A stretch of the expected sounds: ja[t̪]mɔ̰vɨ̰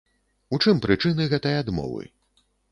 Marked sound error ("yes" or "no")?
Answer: yes